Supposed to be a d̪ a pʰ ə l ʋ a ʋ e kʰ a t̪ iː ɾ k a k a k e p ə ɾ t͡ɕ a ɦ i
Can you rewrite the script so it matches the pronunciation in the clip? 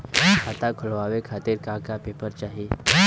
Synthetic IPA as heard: a t̪ a kʰ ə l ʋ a ʋ e kʰ a t̪ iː ɾ k a k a p e p ə ɾ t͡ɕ a ɦ i